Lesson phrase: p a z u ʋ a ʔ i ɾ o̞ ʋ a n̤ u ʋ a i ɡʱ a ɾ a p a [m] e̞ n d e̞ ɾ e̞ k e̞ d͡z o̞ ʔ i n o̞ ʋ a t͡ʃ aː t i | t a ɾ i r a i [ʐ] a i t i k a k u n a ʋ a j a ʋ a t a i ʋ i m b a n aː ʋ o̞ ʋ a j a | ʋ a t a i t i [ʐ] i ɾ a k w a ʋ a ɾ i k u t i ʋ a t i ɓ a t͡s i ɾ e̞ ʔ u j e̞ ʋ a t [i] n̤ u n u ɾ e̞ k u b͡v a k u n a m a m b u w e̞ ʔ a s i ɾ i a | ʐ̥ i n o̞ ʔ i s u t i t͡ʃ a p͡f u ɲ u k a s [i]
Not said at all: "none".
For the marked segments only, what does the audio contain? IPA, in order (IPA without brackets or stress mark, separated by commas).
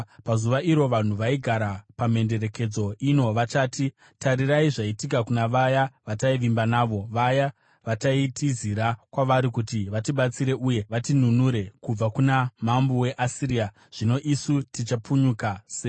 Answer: m, ʐ, z, i, e